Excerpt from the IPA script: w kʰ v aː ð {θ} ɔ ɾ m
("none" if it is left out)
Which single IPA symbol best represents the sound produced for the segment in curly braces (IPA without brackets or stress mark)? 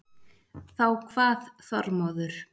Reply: θ